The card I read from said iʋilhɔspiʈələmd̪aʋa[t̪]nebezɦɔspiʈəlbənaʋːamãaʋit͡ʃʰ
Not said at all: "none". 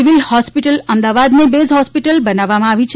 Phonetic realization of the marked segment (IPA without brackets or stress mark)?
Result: d̪